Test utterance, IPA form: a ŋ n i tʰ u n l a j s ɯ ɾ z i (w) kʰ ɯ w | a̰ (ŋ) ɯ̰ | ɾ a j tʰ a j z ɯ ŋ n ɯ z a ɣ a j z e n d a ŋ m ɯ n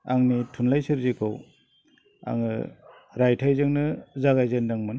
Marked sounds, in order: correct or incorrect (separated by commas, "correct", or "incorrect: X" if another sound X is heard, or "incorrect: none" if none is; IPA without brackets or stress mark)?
incorrect: none, correct